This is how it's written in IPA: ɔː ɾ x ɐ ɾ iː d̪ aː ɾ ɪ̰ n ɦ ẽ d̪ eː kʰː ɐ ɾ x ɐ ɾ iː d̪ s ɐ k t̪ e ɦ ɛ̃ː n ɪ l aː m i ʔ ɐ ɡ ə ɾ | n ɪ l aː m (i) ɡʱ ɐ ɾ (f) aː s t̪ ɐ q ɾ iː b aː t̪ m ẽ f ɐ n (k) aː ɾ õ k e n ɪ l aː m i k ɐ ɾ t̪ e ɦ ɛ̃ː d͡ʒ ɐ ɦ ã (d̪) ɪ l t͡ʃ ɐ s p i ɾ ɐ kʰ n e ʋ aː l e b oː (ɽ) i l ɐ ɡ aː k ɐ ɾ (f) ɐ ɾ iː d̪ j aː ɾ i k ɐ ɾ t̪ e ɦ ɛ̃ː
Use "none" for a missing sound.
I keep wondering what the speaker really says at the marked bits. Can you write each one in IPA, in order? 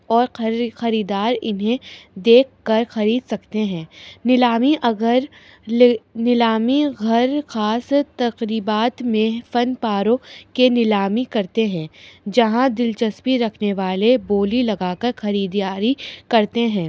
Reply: i, x, p, d̪, l, x

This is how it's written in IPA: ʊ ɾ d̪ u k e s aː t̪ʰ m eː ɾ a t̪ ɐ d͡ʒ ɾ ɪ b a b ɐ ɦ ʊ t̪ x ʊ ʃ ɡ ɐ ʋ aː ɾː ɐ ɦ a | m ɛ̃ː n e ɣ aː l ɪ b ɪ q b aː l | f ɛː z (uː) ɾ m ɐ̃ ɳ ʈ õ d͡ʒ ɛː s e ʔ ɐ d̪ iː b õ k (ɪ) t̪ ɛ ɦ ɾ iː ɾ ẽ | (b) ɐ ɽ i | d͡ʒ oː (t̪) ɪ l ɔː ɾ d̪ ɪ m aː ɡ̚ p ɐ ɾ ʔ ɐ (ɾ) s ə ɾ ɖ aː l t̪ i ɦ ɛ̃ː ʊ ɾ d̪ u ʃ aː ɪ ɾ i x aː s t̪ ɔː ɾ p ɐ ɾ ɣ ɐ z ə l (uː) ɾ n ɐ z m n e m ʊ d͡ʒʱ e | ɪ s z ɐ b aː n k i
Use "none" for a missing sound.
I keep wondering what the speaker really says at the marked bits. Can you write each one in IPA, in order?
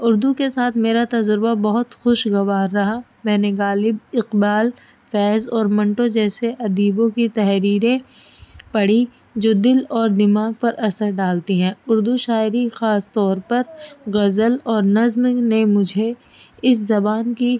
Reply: ɔː, i, p, d̪, ɾ, ɔː

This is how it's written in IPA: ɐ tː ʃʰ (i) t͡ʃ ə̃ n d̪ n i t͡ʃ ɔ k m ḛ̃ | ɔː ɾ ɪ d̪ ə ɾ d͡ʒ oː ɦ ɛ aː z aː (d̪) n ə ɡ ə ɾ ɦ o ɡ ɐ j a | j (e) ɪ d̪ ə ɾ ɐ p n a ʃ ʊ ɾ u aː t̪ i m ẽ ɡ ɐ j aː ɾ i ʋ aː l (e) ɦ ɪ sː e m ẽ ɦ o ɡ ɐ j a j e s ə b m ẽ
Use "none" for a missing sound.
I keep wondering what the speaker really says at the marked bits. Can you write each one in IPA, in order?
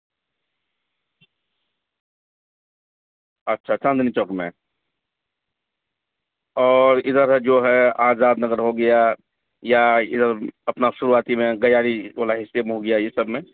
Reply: a, d̪, a, a

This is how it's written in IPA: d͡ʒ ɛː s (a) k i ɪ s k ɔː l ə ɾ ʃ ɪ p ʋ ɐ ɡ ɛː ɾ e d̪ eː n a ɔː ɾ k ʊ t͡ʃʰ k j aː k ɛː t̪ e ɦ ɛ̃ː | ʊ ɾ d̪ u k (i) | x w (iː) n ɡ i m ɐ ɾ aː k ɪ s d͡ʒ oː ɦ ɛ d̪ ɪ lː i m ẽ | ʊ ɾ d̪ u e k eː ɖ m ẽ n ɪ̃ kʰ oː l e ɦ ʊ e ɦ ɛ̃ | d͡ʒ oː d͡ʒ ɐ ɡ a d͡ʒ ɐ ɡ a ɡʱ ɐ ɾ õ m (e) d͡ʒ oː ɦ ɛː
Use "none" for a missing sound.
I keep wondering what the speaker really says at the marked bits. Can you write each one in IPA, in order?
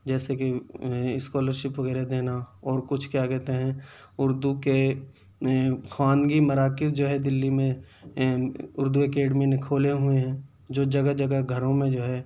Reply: e, e, aː, ẽ

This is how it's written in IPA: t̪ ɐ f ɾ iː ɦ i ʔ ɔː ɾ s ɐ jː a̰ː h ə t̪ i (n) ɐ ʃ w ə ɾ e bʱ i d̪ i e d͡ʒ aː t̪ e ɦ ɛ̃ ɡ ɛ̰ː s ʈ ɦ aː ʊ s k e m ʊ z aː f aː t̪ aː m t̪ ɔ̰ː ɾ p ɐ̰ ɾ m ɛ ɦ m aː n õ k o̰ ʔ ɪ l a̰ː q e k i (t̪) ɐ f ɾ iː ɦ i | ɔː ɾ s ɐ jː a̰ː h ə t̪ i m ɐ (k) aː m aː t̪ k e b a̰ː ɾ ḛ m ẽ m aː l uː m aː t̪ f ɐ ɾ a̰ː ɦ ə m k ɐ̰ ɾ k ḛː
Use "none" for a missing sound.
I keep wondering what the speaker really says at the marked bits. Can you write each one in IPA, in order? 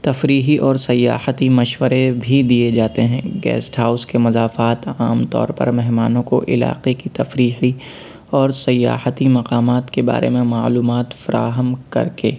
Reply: m, t̪, q

